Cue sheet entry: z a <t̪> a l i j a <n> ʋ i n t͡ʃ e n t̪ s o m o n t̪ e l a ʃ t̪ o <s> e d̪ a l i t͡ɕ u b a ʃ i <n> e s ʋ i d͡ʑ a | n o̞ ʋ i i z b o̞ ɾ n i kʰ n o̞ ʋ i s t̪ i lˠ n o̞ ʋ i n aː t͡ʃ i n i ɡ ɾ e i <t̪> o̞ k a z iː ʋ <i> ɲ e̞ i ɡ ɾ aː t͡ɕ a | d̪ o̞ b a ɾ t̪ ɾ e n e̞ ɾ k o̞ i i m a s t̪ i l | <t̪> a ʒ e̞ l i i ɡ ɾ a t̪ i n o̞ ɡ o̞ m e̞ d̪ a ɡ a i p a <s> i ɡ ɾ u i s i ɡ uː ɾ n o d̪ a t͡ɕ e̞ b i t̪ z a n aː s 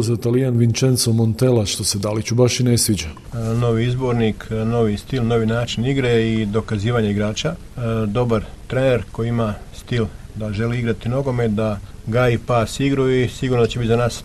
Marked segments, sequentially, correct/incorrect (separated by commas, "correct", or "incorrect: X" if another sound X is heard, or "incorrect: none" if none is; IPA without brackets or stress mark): correct, correct, correct, correct, incorrect: d̪, incorrect: a, incorrect: d̪, correct